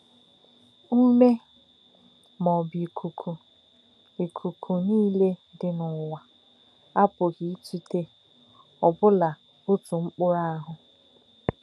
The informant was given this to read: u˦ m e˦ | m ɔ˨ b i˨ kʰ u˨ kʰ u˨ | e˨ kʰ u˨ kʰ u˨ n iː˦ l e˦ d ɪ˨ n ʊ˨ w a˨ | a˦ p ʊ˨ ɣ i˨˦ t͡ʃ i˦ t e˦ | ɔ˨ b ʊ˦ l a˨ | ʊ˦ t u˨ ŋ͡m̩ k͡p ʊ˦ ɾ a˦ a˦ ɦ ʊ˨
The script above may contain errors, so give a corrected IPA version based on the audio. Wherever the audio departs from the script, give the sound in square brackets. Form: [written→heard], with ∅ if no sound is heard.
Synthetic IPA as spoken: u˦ m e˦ | m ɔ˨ b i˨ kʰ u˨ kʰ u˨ | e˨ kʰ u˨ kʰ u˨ n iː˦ l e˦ d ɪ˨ n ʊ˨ w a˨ | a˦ p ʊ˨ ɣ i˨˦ t͡ʃ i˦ t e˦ | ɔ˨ b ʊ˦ l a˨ | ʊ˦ t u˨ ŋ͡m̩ k͡p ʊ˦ ɾ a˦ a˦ ɦ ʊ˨